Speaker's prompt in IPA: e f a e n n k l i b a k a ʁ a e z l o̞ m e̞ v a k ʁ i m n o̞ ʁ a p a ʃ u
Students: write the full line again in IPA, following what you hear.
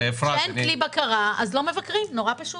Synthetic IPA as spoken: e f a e n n k l i b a k a ʁ a a z l o̞ m e̞ v a k ʁ i m n o̞ ʁ a p a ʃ u